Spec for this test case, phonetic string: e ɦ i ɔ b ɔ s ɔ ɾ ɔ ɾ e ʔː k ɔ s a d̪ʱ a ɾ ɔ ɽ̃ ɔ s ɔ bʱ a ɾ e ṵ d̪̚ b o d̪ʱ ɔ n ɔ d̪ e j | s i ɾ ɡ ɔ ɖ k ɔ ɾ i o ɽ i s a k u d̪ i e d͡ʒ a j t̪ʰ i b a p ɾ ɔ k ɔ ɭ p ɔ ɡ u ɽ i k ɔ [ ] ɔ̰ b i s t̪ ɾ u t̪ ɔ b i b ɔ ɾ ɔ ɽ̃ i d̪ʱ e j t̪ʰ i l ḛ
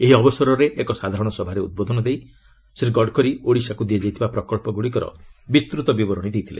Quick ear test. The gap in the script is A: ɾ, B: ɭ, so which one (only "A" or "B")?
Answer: A